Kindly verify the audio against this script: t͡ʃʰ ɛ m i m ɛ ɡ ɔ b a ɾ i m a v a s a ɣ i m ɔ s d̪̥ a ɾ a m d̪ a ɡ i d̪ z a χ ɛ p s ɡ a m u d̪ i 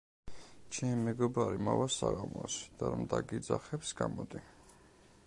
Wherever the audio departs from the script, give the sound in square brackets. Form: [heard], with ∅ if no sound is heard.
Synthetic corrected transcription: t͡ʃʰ ɛ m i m ɛ ɡ ɔ b a ɾ i m a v a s a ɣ [a] m ɔ s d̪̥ a ɾ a m d̪ a ɡ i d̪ z a χ ɛ p s ɡ a m [ɔ] d̪ i